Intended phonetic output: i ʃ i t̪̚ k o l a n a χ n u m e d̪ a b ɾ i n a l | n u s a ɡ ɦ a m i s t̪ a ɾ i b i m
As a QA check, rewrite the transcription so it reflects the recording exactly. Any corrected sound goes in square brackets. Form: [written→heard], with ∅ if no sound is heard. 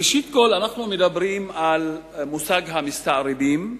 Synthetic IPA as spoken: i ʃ i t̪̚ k o l a n a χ n u m e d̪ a b ɾ i [n→m] a l | [n→m] u s a ɡ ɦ a m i s t̪ a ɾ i b i m